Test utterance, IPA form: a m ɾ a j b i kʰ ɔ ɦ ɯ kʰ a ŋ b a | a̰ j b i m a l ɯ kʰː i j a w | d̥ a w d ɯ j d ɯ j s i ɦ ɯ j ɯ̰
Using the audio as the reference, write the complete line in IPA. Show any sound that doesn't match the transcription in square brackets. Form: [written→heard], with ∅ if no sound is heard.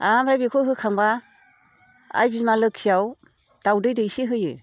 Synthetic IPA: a m ɾ a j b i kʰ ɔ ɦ ɯ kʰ a ŋ b a | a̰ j b i m a l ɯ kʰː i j a w | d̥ a w d ɯ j d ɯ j s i ɦ ɯ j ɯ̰